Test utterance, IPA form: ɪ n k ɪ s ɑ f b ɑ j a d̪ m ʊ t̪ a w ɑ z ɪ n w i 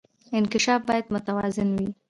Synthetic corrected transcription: ɪ n k ɪ ʃ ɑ f b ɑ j a d̪ m ʊ t̪ a w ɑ z ɪ n w i